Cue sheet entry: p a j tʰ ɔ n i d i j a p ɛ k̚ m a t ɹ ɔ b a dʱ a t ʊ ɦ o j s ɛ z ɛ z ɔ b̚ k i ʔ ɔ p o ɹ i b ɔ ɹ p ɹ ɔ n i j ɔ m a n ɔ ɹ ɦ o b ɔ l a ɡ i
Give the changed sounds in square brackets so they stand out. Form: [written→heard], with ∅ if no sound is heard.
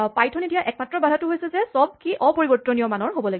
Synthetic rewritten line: p a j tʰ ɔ n i d i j a [p→ʔ] ɛ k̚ m a t ɹ ɔ b a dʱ a t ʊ ɦ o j s ɛ z ɛ [z→s] ɔ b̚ k i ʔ ɔ p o ɹ i b ɔ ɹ [p→t] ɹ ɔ n i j ɔ m a n ɔ ɹ ɦ o b ɔ l a ɡ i